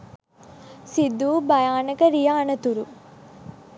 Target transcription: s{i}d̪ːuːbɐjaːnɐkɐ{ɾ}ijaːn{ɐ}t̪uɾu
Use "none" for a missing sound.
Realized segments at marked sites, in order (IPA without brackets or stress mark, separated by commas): i, ɾ, ɐ